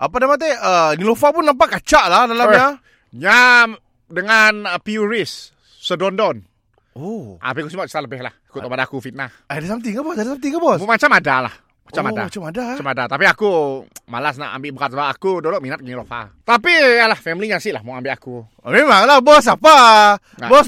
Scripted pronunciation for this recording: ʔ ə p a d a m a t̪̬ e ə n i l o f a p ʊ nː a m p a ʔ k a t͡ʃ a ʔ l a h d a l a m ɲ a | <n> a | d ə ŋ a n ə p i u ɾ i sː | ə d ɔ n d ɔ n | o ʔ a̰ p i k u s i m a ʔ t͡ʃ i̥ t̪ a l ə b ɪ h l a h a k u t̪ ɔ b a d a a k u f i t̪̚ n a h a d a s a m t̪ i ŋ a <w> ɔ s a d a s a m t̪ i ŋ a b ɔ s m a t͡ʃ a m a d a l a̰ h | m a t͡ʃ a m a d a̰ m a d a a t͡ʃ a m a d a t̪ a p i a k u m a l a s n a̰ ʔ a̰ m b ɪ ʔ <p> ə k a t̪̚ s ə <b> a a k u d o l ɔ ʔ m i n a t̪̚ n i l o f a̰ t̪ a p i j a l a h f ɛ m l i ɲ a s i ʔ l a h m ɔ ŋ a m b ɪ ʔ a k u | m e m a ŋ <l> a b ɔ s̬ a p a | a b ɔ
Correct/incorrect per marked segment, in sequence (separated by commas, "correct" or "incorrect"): incorrect, incorrect, incorrect, correct, correct